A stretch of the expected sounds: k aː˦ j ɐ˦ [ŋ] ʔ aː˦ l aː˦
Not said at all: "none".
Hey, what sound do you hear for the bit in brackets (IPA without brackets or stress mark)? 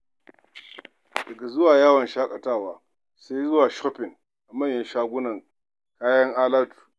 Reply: ŋ